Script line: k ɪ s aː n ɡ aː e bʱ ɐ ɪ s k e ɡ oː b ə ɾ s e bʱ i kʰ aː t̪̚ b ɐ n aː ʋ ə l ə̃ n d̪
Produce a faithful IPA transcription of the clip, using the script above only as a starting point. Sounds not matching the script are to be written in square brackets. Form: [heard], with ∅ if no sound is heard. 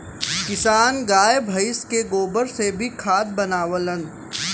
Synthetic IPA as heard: k ɪ s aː n ɡ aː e bʱ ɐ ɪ s k e ɡ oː b ə ɾ s e bʱ i kʰ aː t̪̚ b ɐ n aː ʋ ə l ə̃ n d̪